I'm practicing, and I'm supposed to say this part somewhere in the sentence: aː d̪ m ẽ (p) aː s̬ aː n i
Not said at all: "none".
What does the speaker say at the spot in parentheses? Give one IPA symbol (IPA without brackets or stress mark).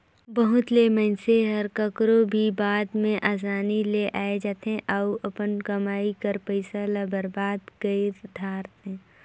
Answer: ʔ